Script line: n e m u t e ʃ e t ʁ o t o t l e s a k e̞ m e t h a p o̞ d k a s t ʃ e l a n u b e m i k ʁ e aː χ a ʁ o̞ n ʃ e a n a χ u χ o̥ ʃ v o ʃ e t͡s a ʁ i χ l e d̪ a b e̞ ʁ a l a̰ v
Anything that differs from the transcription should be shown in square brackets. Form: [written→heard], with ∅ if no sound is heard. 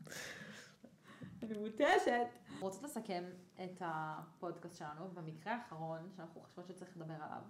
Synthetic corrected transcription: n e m u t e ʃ e t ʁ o [t→t͡s] o t l e s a k e̞ m e t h a p o̞ d k a s t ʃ e l a n u b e m i k ʁ e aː χ a ʁ o̞ n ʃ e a n a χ u χ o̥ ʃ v o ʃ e t͡s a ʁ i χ l e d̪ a b e̞ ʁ a l a̰ v